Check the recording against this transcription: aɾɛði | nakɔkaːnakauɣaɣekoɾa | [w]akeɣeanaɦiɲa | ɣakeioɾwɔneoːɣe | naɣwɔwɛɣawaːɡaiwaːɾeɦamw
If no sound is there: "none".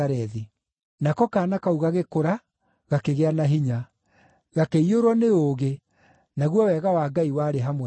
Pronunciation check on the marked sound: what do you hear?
ɣ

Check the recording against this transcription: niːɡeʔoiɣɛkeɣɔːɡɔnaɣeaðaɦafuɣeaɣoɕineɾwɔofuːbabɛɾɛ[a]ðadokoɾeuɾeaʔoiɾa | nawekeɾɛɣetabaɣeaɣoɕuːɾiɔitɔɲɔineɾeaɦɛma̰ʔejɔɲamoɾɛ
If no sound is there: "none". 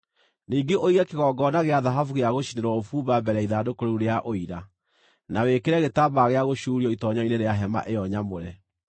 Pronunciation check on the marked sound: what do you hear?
i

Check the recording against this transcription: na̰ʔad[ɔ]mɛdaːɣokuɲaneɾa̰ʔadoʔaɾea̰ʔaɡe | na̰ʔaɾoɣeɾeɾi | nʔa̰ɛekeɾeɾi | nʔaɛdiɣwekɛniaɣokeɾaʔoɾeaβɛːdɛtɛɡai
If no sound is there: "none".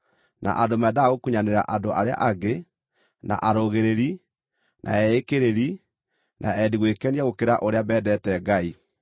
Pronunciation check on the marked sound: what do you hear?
o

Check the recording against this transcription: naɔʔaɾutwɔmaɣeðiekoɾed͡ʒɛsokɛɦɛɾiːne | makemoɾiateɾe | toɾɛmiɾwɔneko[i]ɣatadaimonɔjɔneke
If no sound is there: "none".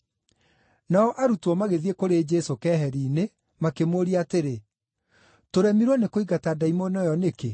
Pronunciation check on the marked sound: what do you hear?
i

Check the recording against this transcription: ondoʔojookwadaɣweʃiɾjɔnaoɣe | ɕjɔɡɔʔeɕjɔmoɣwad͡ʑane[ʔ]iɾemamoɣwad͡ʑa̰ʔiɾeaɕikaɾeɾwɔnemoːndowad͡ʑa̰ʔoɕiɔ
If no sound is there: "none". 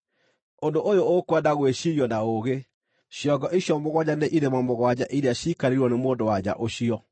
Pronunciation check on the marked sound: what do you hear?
ʔ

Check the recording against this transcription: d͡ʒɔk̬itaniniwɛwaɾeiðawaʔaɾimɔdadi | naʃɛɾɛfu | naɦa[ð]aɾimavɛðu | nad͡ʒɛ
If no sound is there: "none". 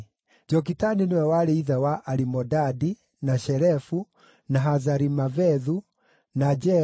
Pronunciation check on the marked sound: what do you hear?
z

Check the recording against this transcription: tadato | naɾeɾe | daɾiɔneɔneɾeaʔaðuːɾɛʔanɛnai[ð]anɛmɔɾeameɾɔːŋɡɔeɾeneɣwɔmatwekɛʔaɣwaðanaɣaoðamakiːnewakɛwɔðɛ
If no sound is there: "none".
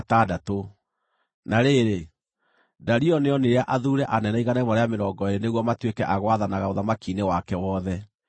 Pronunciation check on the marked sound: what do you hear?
ɣ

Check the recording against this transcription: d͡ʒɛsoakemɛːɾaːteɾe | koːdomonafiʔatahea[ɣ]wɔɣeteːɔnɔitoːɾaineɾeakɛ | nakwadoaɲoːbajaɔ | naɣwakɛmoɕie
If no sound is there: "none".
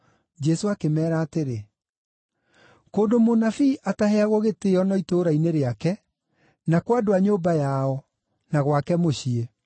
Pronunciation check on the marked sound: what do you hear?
ɣ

